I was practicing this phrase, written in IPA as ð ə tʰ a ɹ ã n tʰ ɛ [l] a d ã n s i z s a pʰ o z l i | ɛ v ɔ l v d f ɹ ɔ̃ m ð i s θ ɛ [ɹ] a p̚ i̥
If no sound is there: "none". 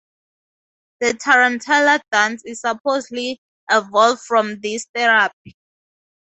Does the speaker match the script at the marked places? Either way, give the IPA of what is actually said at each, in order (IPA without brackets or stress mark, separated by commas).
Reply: l, ɹ